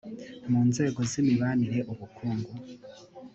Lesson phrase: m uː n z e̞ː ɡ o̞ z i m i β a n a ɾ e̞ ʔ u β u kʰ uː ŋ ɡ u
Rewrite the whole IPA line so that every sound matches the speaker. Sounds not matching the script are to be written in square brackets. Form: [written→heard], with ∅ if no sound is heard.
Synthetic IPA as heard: m uː n z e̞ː ɡ o̞ z i m i β a n [a→i] ɾ e̞ ʔ u β u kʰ uː ŋ ɡ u

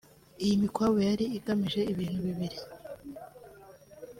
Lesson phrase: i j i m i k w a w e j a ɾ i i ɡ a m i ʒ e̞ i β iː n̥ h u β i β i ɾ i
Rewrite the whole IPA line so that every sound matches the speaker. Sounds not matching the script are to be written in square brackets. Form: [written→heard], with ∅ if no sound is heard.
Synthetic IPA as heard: i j i m i k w a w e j a ɾ i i ɡ a m i ʒ e̞ i β iː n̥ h u β i β i ɾ i

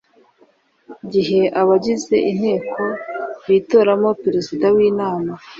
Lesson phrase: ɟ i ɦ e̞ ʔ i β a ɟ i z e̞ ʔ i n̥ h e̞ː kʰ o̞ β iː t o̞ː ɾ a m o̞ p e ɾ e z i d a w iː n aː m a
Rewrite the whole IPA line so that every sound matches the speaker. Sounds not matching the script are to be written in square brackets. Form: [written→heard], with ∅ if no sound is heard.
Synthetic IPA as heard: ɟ i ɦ e̞ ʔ [i→a] β a ɟ i z e̞ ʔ i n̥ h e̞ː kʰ o̞ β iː t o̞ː ɾ a m o̞ p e ɾ e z i d a w iː n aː m a

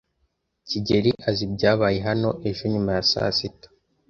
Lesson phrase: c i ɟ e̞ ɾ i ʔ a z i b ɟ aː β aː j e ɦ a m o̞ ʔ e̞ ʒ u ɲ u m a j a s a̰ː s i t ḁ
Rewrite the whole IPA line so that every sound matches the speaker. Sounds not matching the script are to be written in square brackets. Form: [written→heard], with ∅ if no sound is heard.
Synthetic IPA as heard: c i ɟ e̞ ɾ i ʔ a z i b ɟ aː β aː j e ɦ a [m→n] o̞ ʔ e̞ ʒ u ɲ u m a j a s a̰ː s i t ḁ

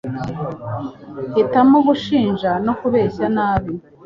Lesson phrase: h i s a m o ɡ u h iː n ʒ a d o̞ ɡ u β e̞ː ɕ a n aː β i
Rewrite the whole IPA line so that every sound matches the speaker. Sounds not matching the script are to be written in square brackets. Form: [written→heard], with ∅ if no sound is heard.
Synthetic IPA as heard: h i [s→t] a m o ɡ u [h→ʃ] iː n ʒ a [d→n] o̞ [ɡ→k] u β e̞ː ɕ a n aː β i

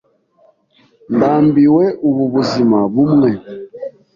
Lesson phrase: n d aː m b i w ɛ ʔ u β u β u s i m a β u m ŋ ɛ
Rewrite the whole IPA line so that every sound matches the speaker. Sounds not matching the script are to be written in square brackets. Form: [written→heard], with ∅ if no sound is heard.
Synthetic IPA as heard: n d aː m b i w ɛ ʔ u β u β u [s→z] i m a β u m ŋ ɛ

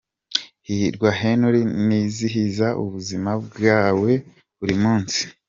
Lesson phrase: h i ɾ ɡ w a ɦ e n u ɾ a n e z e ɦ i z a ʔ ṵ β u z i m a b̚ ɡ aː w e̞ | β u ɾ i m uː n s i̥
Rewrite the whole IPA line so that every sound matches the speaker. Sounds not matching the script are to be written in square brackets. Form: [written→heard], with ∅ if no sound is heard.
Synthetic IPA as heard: h i ɾ ɡ w a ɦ e n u ɾ [a→i] n [e→i] z [e→i] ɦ i z a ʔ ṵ β u z i m a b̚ ɡ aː w e̞ | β u ɾ i m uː n s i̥

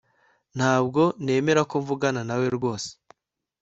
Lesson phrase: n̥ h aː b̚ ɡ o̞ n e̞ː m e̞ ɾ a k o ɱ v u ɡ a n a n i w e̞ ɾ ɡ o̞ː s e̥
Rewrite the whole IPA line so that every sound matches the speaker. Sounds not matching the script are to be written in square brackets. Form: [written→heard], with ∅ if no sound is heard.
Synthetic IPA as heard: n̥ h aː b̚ ɡ o̞ n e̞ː m e̞ ɾ a k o ɱ v u ɡ a n a n [i→a] w e̞ ɾ ɡ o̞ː s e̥

